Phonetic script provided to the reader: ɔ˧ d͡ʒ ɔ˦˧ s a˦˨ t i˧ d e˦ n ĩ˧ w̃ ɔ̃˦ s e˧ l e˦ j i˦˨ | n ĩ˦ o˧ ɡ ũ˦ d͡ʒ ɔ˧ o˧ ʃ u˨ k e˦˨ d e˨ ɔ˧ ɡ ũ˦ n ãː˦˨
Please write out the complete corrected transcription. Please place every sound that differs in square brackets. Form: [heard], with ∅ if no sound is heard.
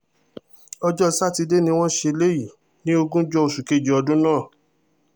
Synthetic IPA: ɔ˧ d͡ʒ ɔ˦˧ s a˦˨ t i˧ d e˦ n ĩ˧ w̃ ɔ̃˦ [ʃ] e˧ l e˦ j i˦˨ | n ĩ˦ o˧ ɡ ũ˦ d͡ʒ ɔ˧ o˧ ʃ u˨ k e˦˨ [d͡ʒ] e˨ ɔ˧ [d] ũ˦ n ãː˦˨